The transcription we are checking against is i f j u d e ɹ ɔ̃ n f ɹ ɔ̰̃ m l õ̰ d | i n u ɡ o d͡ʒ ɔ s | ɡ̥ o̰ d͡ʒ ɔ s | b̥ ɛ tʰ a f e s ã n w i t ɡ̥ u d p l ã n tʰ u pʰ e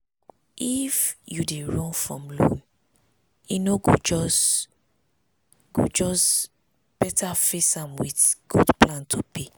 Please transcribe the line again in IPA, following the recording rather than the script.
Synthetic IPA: i f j u d e ɹ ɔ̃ n f ɹ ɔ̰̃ m l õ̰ n | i n o ɡ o d͡ʒ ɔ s | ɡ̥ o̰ d͡ʒ ɔ s | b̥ ɛ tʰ a f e s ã m w i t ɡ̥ u d p l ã n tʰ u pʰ e